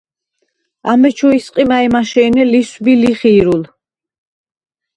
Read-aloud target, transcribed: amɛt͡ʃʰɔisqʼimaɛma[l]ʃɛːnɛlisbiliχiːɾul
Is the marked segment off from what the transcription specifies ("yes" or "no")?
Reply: yes